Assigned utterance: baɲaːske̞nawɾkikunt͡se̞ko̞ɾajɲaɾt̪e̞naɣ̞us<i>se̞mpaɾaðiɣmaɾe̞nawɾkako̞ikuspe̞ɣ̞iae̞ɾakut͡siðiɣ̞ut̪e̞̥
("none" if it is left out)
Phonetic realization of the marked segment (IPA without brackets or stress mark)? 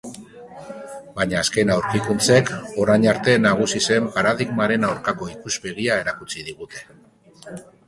i